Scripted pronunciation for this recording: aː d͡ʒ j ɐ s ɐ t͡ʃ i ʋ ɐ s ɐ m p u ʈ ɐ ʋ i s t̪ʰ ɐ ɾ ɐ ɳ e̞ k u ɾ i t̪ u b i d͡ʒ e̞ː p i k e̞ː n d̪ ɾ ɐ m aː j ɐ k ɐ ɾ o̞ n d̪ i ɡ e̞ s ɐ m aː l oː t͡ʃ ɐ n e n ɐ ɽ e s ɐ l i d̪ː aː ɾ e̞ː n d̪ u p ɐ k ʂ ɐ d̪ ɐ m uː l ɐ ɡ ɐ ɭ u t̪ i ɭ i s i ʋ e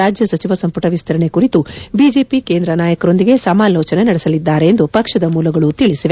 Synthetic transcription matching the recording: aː d͡ʒ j ɐ s ɐ t͡ʃ i ʋ ɐ s ɐ m p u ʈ ɐ ʋ i s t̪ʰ ɐ ɾ ɐ ɳ e̞ k u ɾ i t̪ u b i d͡ʒ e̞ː p i k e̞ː n d̪ ɾ ɐ n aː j ɐ k ɐ ɾ o̞ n d̪ i ɡ e̞ s ɐ m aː l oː t͡ʃ ɐ n e n ɐ ɽ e s ɐ l i d̪ː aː ɾ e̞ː n d̪ u p ɐ k ʂ ɐ d̪ ɐ m uː l ɐ ɡ ɐ ɭ u t̪ i ɭ i s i ʋ e